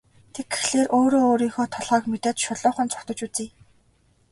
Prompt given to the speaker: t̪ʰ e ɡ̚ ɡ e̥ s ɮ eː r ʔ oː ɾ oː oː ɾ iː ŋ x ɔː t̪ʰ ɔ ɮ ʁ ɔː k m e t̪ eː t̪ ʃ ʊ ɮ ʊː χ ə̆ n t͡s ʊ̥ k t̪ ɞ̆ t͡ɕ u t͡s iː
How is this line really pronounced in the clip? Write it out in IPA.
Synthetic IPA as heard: t̪ʰ e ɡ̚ ɡ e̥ x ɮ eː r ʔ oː ɾ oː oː ɾ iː ŋ x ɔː t̪ʰ ɔ ɮ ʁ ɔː k m e t̪ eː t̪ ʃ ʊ ɮ ʊː χ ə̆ n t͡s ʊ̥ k t̪ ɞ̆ t͡ɕ u t͡s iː